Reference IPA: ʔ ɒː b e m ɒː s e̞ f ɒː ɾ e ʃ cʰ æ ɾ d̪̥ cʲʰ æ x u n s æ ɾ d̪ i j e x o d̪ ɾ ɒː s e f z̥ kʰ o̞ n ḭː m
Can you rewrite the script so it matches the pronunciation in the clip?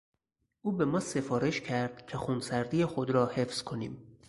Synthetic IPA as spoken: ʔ uː b e m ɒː s e̞ f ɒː ɾ e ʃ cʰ æ ɾ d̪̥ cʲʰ e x u n s æ ɾ d̪ i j e x o d̪ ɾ ɒː h e f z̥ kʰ o̞ n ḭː m